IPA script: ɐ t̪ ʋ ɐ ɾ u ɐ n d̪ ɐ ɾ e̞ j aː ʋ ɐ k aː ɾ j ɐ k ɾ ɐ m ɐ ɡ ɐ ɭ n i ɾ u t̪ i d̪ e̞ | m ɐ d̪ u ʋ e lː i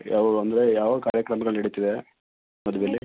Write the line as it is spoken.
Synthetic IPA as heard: ɐ ʋ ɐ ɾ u ɐ n d̪ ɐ ɾ e̞ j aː ʋ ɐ k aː ɾ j ɐ k ɾ ɐ m ɐ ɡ ɐ ɭ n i ɽ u t̪ i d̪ e̞ | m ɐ d̪ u ʋ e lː i